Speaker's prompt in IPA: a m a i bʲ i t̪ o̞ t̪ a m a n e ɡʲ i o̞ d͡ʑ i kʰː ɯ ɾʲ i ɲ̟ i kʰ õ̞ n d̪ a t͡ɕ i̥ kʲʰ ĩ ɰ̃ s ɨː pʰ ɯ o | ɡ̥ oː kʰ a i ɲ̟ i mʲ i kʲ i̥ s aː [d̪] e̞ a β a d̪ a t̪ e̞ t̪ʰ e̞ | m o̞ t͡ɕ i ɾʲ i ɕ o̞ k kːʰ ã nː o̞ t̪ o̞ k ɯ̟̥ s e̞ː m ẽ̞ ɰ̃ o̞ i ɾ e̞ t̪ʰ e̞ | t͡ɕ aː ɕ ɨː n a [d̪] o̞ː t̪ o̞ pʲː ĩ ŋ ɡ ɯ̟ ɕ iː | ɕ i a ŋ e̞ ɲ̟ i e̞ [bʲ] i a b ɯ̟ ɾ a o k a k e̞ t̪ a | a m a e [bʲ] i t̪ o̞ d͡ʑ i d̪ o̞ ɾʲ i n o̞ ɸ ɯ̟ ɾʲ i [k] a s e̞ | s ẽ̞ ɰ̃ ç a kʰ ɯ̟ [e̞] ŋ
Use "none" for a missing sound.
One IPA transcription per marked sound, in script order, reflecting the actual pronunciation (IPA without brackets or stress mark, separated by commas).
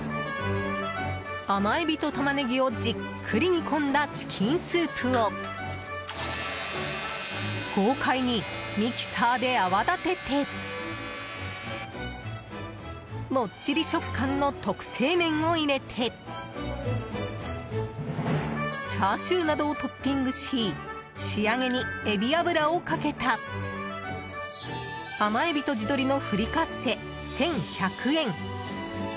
d̪, d̪, bʲ, bʲ, k, ẽ̞